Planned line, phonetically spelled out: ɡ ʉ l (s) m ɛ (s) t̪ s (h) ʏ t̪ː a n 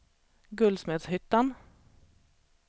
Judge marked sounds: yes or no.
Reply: yes, no, yes

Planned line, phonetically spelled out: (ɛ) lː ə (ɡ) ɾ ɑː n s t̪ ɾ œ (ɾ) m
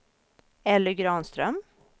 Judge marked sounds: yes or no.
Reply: yes, yes, no

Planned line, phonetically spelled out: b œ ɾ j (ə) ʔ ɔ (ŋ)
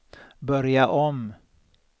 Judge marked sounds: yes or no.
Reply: no, no

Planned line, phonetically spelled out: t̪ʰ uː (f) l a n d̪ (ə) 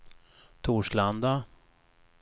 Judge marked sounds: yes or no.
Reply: no, no

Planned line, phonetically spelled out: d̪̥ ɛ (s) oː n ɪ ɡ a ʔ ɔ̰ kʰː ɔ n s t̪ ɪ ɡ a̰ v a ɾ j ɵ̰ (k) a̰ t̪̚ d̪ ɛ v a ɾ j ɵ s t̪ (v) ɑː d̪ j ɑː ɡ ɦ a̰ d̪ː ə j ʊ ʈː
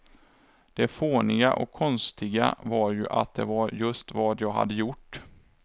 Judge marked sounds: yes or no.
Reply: no, no, yes

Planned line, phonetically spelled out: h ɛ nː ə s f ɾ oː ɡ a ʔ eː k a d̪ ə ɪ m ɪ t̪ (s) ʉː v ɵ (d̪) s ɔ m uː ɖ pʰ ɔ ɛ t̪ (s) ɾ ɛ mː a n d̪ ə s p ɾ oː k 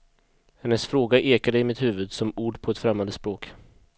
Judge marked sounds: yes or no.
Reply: no, yes, no

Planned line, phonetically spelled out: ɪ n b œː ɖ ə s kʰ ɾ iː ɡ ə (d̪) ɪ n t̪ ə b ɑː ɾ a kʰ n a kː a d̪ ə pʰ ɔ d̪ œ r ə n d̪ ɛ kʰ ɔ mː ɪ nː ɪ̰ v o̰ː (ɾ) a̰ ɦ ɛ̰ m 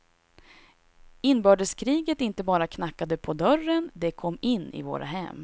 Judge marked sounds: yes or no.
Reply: no, yes

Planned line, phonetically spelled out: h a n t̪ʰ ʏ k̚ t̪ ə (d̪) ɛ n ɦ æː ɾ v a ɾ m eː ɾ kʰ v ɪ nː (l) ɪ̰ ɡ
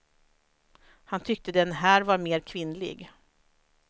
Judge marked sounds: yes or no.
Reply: yes, yes

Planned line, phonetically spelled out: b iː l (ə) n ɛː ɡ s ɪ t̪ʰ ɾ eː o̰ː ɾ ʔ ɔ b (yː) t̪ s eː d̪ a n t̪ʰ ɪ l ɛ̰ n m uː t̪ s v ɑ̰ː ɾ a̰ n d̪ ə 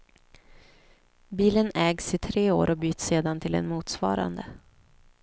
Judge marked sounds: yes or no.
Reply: yes, yes

